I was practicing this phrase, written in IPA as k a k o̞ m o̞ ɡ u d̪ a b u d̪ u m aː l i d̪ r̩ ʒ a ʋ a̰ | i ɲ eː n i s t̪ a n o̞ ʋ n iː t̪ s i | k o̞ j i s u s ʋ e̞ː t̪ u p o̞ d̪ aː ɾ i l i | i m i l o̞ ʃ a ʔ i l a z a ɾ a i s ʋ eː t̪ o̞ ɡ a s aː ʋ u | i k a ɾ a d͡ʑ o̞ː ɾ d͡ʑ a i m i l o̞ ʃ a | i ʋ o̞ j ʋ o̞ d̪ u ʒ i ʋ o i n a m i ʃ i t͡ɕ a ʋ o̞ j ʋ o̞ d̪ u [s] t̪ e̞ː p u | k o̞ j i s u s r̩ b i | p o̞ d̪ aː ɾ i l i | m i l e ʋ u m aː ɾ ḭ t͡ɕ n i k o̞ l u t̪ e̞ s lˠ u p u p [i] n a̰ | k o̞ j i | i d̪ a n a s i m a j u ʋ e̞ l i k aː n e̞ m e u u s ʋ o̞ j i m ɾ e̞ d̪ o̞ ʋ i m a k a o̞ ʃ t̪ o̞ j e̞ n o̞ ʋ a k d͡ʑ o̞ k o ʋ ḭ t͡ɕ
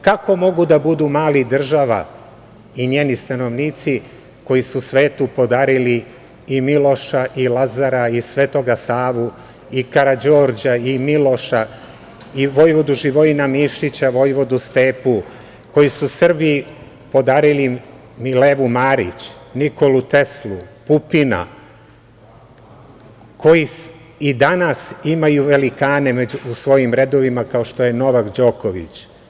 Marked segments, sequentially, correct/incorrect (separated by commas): correct, correct